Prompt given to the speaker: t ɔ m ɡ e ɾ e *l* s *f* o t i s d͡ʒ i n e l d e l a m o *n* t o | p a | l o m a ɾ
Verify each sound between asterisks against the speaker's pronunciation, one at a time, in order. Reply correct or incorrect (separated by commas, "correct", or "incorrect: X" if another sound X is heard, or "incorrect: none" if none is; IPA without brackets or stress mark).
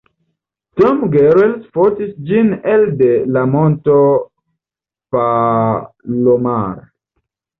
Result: correct, correct, correct